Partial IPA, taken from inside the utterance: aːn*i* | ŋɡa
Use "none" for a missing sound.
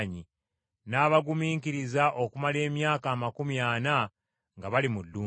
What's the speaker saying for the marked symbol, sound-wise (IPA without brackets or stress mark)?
a